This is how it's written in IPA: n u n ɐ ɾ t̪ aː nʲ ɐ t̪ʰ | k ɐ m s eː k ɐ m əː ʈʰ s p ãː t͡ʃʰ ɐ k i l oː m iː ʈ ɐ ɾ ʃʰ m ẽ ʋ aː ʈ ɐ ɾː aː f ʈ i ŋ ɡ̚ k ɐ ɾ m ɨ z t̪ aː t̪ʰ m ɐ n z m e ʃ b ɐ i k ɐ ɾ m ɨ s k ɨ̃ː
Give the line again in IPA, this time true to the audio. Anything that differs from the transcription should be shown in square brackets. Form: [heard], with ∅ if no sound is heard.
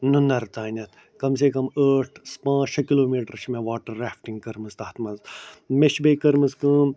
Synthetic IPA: n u n ɐ ɾ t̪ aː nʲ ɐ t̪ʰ | k ɐ m s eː k ɐ m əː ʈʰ s p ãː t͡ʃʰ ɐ k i l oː m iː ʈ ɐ ɾ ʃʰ m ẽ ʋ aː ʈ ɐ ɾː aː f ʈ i ŋ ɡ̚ k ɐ ɾ m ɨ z t̪ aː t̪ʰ m ɐ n z m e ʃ b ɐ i k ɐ ɾ m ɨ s k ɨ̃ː